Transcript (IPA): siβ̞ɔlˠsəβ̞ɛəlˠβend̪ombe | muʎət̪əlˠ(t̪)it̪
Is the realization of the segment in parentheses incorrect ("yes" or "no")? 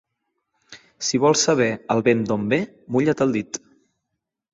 yes